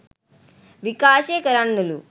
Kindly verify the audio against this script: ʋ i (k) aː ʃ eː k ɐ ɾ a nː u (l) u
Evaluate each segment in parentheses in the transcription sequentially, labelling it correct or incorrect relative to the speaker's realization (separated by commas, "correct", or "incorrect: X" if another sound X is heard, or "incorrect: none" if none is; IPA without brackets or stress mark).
correct, correct